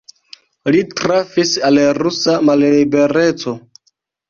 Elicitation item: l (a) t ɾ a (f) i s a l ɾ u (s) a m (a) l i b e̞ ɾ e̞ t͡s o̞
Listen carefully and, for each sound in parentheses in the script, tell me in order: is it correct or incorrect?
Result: incorrect: i, correct, correct, correct

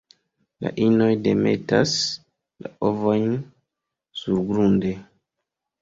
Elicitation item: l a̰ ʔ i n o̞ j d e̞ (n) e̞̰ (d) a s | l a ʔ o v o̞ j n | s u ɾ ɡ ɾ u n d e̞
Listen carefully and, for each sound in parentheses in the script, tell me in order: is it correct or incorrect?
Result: incorrect: m, incorrect: t

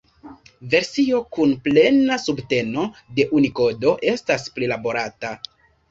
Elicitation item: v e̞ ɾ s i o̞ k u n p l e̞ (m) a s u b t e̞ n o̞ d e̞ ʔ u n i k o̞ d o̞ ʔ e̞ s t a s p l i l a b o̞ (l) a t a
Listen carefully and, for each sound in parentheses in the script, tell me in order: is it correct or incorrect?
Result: incorrect: n, incorrect: ɾ

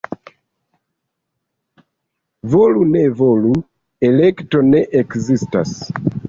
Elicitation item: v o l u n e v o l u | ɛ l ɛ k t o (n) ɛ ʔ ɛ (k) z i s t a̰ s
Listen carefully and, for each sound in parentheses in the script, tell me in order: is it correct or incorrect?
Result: correct, correct

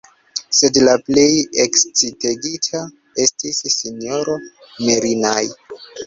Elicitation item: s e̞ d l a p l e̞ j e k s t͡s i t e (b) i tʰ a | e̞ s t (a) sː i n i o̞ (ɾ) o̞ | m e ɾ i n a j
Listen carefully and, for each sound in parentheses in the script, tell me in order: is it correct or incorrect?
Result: incorrect: ɡ, incorrect: i, correct

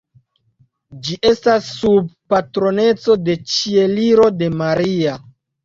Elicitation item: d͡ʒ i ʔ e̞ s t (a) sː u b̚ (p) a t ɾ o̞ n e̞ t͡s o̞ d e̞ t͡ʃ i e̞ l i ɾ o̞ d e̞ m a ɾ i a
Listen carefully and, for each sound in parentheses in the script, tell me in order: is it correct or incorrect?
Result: correct, correct

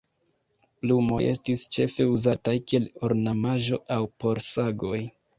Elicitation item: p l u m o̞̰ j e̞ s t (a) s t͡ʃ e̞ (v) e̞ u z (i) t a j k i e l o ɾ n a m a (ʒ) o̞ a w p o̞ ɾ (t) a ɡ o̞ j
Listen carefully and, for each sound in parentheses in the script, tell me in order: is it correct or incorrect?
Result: incorrect: i, incorrect: f, incorrect: a, correct, incorrect: s

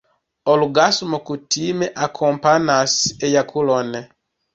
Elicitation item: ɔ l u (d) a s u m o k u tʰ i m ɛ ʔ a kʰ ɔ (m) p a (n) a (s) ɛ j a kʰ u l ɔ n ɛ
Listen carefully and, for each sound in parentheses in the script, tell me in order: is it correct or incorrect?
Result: incorrect: ɡ, correct, correct, correct

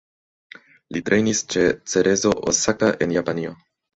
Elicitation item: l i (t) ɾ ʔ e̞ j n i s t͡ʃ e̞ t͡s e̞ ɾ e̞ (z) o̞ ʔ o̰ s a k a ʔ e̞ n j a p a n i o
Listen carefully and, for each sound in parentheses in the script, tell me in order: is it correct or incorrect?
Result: correct, correct

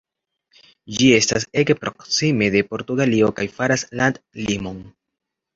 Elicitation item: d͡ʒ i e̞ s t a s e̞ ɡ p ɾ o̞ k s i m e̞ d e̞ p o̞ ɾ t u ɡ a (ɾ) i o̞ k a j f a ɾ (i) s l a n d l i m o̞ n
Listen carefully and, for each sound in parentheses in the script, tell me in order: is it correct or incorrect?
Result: incorrect: l, incorrect: a

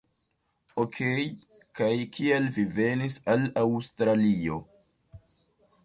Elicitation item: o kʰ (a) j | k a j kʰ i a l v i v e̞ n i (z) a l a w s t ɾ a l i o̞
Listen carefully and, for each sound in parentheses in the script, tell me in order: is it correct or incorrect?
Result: incorrect: e, incorrect: s

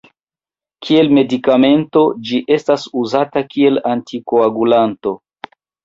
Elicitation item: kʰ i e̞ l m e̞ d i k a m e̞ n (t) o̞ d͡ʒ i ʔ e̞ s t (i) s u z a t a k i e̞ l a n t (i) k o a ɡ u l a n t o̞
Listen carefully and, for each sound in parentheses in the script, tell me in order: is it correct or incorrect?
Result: correct, incorrect: a, correct

